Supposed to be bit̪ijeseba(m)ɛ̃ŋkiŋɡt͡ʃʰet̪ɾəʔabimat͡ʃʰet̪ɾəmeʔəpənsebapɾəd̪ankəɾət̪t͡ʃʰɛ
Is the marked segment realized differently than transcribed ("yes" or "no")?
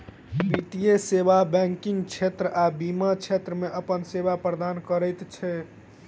yes